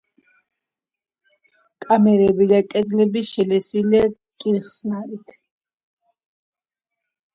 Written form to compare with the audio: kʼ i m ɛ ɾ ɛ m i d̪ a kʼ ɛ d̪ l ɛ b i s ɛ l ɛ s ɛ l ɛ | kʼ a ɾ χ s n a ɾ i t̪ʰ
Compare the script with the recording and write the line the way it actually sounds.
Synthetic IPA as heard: kʼ a m ɛ ɾ ɛ b i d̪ a kʼ ɛ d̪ l ɛ b i ʃ ɛ l ɛ s i l ɛ | kʼ i ɾ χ s n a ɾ i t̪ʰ